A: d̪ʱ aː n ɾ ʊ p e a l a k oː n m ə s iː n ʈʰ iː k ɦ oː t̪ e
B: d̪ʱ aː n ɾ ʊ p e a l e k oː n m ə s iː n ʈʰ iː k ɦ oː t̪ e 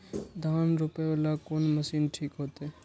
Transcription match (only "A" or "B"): A